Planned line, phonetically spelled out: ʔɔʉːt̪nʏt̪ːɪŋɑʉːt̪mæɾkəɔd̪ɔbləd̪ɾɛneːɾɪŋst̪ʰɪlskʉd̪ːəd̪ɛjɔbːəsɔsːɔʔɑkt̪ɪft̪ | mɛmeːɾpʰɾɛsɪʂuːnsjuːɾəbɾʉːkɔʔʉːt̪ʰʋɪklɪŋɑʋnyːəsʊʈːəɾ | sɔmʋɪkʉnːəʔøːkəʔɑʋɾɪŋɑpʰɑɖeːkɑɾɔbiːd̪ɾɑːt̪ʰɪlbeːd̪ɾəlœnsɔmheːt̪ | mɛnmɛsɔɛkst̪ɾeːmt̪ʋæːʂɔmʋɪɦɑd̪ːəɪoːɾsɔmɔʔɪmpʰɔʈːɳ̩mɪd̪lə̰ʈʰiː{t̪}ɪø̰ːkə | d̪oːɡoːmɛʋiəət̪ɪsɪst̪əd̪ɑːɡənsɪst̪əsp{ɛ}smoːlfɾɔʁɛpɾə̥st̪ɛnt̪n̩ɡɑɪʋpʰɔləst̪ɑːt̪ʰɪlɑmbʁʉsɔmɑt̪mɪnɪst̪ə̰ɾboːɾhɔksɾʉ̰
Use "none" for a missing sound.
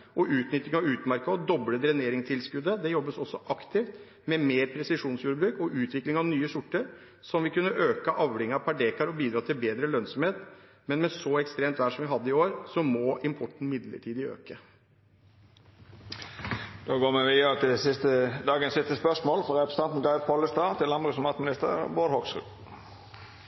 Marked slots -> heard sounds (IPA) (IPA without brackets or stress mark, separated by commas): d̪, œ